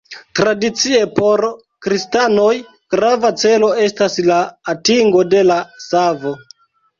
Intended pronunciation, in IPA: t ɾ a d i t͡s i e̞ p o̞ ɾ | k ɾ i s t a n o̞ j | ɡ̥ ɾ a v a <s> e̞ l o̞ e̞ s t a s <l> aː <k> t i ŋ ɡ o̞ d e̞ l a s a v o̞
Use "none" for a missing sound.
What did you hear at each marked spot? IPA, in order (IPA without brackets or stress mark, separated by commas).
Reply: t͡s, l, none